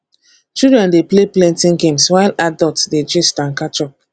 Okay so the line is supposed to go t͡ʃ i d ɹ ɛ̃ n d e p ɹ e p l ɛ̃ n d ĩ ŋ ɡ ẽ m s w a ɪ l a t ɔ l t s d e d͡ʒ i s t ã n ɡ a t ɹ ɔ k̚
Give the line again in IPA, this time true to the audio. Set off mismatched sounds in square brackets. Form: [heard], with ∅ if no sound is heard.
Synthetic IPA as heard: t͡ʃ i d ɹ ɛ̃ n d e p [l] e p l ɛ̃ n [t] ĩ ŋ ɡ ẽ m s w a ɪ l a [d] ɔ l t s d e d͡ʒ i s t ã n [k] a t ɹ ɔ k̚